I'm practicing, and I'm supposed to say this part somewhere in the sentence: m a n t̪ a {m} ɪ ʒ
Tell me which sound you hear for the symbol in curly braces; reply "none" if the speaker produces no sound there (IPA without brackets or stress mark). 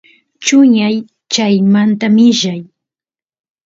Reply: m